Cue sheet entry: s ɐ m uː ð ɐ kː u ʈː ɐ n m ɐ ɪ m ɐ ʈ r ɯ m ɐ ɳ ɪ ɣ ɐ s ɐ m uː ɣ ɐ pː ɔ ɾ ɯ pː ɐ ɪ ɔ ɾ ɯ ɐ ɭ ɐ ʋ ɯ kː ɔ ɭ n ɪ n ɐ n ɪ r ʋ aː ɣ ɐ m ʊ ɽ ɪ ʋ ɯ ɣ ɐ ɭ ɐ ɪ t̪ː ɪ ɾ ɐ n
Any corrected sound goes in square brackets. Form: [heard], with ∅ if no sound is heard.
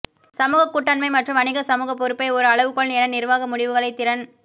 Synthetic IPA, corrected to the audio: s ɐ m uː [ɣ] ɐ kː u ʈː ɐ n m ɐ ɪ m ɐ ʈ r ɯ m ɐ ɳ ɪ ɣ ɐ s ɐ m uː ɣ ɐ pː ɔ ɾ ɯ pː ɐ ɪ ɔ ɾ ɯ ɐ ɭ ɐ ʋ ɯ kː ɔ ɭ n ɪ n ɐ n ɪ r ʋ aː ɣ ɐ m ʊ ɽ ɪ ʋ ɯ ɣ ɐ ɭ ɐ ɪ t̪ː ɪ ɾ ɐ n